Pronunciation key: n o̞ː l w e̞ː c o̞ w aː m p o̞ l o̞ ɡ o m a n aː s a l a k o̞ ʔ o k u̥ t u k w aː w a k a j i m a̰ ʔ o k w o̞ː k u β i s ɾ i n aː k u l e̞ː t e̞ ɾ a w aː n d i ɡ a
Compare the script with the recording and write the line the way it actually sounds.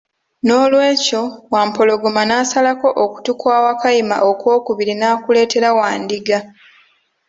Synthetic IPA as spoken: n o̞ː l w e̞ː c o̞ w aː m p o̞ l o̞ ɡ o m a n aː s a l a k o̞ ʔ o k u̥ t u k w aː w a k a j i m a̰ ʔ o k w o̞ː k u β i ɾ i n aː k u l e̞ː t e̞ ɾ a w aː n d i ɡ a

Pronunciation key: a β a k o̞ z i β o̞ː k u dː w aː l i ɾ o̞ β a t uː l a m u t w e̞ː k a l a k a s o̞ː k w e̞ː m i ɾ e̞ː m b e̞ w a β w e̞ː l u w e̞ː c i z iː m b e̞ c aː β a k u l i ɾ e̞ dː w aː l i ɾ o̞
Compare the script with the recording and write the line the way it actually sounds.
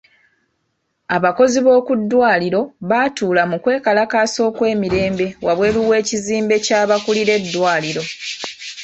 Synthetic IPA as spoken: a β a k o̞ z i β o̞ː k u dː w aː l i ɾ o̞ β a t uː l a m u k w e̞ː k a l a k a s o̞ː k w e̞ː m i ɾ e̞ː m b e̞ w a β w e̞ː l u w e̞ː c i z iː m b e̞ c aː β a k u l i ɾ e̞ dː w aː l i ɾ o̞

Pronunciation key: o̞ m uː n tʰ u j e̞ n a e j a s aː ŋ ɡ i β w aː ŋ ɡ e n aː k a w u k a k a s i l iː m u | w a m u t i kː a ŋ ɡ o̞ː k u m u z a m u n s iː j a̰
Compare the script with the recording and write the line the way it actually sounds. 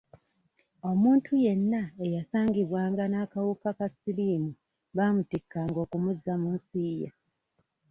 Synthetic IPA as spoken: o̞ m uː n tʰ u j e̞ nː a e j a s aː ŋ ɡ i β w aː ŋ ɡ a n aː k a w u k a k a s i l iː m u | β a m u t i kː a ŋ ɡ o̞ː k u m u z a m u n s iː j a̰

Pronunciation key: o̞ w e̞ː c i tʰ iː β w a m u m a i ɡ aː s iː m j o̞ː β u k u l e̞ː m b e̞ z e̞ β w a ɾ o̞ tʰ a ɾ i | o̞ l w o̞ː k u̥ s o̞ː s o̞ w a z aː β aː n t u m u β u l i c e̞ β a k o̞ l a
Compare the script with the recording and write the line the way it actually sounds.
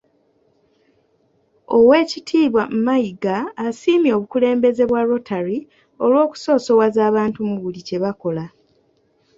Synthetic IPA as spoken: o̞ w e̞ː c i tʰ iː β w a m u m a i ɡ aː s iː m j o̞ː β u k u l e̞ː m b e̞ z e̞ β w a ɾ o̞ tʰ a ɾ i | o̞ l w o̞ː k u̥ s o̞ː s o̞ w a z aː β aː n t u m u β u l i c e̞ β a k o̞ l a

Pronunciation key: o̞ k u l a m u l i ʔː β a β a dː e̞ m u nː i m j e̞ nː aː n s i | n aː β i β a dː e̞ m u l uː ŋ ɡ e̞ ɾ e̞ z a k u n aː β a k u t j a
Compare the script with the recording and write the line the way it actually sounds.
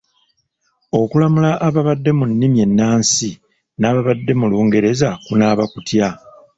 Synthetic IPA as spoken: o̞ k u l a m u l a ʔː β a β a dː e̞ m u nː i m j e̞ nː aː n s i | n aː β a β a dː e̞ m u l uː ŋ ɡ e̞ ɾ e̞ z a k u n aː β a k u t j a

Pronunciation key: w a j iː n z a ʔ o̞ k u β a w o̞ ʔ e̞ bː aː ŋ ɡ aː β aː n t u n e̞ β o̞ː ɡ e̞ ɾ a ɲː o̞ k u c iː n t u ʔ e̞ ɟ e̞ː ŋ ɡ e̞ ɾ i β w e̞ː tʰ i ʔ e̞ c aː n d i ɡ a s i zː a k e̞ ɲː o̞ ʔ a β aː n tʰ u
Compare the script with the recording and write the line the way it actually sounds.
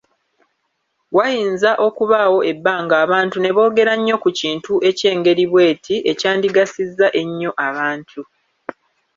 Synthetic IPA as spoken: w a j iː n z a ʔ o̞ k u β a w o̞ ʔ e̞ bː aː ŋ ɡ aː β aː n t u n e̞ β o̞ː ɡ e̞ ɾ a ɲː o̞ k u c iː n t u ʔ e̞ c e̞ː ŋ ɡ e̞ ɾ i β w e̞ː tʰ i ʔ e̞ c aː n d i ɡ a s i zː a ʔ e̞ ɲː o̞ ʔ a β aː n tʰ u

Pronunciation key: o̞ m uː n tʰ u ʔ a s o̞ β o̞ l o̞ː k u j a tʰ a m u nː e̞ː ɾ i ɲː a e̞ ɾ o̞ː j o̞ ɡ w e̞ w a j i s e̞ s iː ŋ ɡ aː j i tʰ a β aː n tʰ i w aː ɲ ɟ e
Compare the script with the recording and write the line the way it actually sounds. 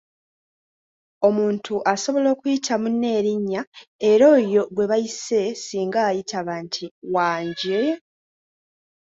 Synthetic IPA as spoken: o̞ m uː n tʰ u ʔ a s o̞ β o̞ l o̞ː k u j i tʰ a m u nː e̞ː ɾ i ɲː a e̞ ɾ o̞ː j o̞ ɡ w e̞ β a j i s e̞ s iː ŋ ɡ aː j i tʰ a β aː n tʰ i w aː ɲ ɟ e

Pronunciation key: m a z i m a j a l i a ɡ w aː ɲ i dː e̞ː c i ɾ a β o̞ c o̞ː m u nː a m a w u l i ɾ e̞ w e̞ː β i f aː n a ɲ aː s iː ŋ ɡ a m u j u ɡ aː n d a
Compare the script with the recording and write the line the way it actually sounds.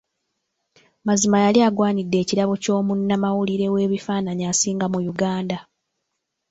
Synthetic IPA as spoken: m a z i m a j a l i a ɡ w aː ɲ i dː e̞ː c i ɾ a β o̞ c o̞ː m u nː a m a w u l i ɾ e̞ w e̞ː β i f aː n a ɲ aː s iː ŋ ɡ a m u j u ɡ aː n d a

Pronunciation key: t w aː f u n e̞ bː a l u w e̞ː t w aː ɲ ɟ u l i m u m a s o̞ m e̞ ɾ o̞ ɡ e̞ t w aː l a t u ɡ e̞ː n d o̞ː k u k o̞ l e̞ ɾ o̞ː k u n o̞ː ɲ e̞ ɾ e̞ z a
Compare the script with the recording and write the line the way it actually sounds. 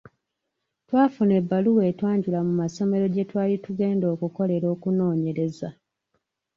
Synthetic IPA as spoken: t w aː f u n e̞ bː a l u w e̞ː t w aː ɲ ɟ u l a m u m a s o̞ m e̞ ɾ o̞ ɟ e̞ t w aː l i t u ɡ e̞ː n d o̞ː k u k o̞ l e̞ ɾ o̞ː k u n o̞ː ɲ e̞ ɾ e̞ z a

